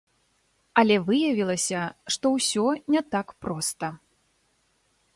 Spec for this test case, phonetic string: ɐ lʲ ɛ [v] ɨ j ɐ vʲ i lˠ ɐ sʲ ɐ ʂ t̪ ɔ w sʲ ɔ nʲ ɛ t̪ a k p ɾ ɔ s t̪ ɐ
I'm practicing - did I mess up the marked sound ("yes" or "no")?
no